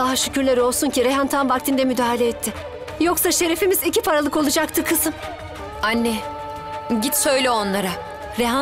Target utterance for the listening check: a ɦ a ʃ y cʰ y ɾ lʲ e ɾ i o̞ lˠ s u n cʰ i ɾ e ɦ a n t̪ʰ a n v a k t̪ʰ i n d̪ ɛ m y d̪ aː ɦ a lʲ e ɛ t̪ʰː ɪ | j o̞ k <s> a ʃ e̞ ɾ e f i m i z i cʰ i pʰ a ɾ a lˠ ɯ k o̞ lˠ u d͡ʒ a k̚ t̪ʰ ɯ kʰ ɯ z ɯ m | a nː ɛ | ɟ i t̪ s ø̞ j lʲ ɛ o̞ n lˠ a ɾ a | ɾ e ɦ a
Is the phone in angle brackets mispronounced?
no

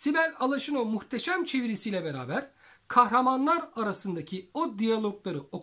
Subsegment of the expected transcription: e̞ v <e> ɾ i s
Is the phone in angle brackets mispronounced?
yes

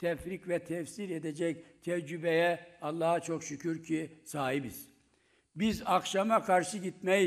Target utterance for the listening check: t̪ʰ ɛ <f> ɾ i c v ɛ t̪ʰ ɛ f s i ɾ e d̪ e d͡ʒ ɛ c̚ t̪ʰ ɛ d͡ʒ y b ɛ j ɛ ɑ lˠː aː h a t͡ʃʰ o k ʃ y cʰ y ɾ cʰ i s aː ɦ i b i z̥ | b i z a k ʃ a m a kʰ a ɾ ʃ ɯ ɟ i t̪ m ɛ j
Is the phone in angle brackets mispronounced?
no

